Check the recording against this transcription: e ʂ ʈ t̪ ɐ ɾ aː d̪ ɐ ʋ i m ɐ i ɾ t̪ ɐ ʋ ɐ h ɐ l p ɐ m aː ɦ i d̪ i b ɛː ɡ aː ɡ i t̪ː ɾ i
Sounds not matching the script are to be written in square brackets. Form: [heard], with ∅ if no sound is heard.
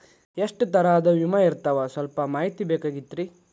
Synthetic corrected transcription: e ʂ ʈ t̪ ɐ ɾ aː d̪ ɐ ʋ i m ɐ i ɾ t̪ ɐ ʋ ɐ [s] ɐ l p ɐ m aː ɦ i [t̪] i b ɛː [k] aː ɡ i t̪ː ɾ i